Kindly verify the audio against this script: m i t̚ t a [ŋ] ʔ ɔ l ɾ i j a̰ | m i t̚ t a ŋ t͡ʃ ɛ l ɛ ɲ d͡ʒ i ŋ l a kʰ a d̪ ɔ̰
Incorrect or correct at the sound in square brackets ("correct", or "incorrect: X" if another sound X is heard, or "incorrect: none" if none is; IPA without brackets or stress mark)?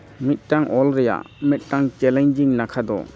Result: correct